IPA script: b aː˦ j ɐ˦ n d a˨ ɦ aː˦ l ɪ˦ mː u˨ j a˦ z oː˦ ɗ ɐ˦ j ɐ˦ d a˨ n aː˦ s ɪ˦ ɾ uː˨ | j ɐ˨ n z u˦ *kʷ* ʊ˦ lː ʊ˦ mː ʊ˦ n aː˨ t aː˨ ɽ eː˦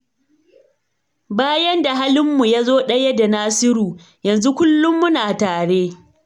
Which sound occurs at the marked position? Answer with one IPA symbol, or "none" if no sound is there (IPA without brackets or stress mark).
kʷ